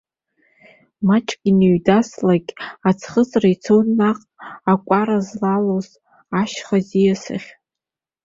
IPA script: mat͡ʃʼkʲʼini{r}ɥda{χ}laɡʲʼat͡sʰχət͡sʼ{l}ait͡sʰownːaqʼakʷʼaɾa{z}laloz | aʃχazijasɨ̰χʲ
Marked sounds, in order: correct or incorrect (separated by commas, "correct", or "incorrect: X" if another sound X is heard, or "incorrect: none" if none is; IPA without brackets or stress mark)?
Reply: incorrect: none, incorrect: s, incorrect: r, correct